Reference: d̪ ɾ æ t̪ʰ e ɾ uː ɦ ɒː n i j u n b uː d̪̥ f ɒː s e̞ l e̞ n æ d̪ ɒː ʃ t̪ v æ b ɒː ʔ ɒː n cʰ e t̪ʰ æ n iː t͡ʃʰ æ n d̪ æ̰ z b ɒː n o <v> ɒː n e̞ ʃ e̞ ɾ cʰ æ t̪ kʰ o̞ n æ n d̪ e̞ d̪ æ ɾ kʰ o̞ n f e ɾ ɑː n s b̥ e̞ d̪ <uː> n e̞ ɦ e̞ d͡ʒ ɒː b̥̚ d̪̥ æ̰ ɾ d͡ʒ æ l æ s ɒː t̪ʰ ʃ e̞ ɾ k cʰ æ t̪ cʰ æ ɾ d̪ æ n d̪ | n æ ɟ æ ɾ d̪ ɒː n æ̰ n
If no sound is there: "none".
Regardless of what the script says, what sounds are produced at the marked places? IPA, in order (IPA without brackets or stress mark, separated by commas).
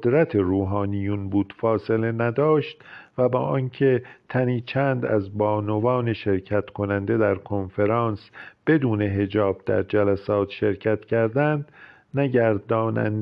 v, uː